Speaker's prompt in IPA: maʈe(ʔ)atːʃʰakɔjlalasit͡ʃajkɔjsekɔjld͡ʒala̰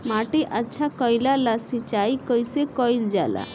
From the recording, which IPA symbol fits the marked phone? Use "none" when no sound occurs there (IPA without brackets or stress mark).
ʔ